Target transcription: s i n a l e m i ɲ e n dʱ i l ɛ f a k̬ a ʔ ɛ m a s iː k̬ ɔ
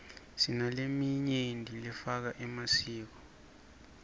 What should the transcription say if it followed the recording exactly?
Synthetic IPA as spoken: s i n a l e m i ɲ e n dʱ i l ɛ f a k̬ a ʔ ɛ m a s iː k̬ ɔ